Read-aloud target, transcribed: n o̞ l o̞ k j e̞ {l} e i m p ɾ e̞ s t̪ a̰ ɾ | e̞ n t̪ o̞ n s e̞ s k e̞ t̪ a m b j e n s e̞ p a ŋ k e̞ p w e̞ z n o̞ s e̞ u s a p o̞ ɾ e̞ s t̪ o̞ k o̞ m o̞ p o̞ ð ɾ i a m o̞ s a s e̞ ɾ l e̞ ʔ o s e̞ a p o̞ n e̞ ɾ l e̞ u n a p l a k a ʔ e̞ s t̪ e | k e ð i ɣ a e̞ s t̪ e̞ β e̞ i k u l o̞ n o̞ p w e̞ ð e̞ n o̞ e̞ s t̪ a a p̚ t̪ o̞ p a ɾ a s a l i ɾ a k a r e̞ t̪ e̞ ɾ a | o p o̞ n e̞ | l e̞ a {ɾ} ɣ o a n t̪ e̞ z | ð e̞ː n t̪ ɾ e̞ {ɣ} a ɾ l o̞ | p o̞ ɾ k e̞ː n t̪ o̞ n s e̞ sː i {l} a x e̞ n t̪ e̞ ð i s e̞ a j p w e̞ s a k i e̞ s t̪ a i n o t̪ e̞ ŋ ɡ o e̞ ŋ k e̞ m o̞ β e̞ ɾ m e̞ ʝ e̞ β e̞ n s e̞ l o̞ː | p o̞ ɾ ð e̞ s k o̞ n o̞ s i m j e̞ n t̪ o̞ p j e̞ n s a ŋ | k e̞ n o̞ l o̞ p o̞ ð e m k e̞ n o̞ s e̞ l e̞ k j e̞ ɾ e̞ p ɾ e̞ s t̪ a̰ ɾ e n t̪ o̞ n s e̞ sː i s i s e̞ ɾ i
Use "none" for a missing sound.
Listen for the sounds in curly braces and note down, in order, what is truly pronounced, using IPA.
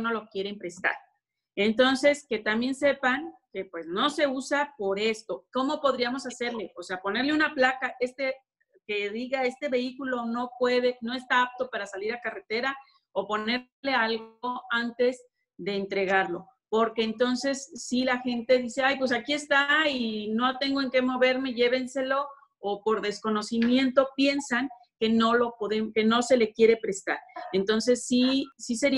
ɾ, l, ɣ, l

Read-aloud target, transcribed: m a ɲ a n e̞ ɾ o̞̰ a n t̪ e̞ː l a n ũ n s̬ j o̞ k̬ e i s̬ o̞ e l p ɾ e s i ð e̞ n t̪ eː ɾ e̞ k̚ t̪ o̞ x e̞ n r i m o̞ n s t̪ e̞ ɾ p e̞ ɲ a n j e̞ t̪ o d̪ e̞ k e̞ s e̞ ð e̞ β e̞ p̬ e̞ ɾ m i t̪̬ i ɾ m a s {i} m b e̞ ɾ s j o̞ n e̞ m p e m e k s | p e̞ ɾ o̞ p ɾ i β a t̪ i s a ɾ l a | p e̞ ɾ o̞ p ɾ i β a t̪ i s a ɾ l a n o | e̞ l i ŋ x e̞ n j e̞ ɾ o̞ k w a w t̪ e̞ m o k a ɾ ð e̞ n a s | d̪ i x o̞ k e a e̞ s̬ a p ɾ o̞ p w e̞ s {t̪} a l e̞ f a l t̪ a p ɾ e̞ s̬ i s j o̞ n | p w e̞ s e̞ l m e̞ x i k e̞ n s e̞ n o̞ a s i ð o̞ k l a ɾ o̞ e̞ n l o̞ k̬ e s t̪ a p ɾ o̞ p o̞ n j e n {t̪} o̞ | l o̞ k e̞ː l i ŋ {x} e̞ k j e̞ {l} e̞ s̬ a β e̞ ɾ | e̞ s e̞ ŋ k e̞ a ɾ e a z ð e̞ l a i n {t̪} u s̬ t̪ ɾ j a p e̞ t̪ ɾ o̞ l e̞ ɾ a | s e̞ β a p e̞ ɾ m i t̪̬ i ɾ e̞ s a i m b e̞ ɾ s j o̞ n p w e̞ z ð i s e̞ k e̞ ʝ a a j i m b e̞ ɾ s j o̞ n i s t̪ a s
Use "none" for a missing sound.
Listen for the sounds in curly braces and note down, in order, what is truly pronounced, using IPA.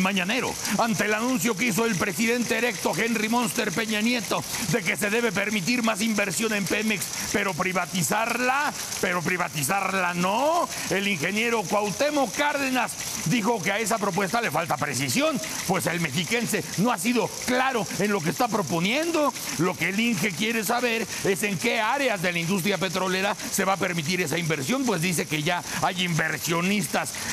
i, t̪, d̪, x, ɾ, d̪

